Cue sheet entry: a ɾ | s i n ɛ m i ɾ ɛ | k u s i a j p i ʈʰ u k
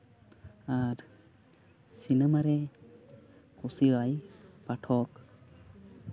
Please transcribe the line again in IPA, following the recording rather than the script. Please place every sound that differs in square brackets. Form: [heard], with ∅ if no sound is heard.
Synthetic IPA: a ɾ | s i n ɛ m [a] ɾ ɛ | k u s i a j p [a] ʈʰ [ɔ] k